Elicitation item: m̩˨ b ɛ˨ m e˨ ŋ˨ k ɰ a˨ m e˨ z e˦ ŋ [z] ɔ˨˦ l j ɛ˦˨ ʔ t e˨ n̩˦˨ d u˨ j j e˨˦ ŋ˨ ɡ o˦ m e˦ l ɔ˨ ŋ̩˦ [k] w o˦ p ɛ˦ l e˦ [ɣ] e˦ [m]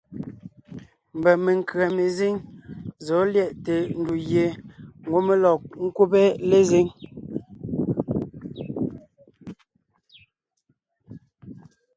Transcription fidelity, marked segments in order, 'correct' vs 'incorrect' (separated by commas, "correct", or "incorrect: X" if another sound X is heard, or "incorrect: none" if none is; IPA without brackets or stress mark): correct, correct, incorrect: z, incorrect: ŋ